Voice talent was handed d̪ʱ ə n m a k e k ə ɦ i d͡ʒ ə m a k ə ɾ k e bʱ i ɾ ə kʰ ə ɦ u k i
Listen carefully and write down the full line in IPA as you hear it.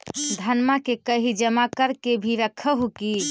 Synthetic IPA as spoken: d̪ʱ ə n m a k e k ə ɦ i d͡ʒ ə m a k ə ɾ k e bʱ i ɾ ə kʰ ə ɦ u k i